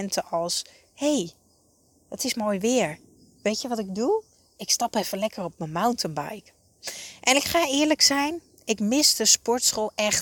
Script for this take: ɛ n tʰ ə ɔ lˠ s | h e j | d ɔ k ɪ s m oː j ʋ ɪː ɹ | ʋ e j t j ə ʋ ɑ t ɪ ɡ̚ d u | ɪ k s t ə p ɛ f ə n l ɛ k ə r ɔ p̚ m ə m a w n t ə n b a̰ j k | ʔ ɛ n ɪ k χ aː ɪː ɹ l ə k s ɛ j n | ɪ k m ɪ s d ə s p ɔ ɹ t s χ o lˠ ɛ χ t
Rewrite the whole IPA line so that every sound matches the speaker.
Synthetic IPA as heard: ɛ n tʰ ə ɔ lˠ s | h e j | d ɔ t ɪ s m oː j ʋ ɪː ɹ | ʋ e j t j ə ʋ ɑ t ɪ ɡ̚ d u | ɪ k s t ɑ p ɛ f ə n l ɛ k ə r ɔ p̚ m ə m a w n t ə n b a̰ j k | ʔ ɛ n ɪ k χ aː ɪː ɹ l ə k s ɛ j n | ɪ k m ɪ s d ə s p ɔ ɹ t s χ o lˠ ɛ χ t